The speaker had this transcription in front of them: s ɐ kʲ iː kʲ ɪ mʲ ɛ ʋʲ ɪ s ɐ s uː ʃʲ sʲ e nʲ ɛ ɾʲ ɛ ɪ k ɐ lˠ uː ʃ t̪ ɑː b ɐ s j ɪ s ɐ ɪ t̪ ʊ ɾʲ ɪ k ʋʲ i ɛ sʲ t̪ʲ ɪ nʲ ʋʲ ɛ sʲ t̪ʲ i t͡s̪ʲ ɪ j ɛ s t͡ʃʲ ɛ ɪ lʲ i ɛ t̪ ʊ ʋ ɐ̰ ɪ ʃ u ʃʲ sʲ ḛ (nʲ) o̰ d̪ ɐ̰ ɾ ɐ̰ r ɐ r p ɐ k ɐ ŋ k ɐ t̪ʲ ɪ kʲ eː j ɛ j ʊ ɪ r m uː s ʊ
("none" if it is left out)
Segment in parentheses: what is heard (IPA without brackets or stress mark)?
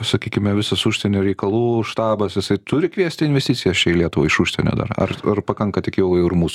nʲ